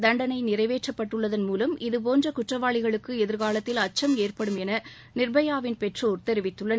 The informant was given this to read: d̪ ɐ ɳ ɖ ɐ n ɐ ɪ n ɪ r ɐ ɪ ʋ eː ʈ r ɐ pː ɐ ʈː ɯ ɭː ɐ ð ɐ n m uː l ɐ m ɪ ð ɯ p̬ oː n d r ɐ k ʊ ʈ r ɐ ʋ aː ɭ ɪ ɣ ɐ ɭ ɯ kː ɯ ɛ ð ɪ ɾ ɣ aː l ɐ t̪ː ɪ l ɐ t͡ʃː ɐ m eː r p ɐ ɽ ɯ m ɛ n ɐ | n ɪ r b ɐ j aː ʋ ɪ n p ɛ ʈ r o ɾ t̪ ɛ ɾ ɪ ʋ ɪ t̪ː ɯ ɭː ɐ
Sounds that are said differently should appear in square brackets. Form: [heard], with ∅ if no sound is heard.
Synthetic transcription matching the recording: d̪ ɐ ɳ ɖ ɐ n ɐ ɪ n ɪ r ɐ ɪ ʋ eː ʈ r ɐ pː ɐ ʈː ɯ ɭː ɐ ð ɐ n m uː l ɐ m ɪ ð ɯ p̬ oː n d r ɐ k ʊ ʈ r ɐ ʋ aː ɭ ɪ ɣ ɐ ɭ ɯ kː ɯ ɛ ð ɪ ɾ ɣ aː l ɐ t̪ː ɪ l ɐ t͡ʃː ɐ m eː r p ɐ ɽ ɯ m ɛ n ɐ | n ɪ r b ɐ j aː ʋ ɪ n p ɛ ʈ r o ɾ t̪ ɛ ɾ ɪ ʋ ɪ t̪ː ɯ ɭː ɐ